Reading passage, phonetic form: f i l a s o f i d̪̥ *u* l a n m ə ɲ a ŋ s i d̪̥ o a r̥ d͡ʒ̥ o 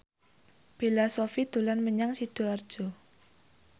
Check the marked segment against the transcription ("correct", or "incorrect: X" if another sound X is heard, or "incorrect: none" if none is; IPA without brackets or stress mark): correct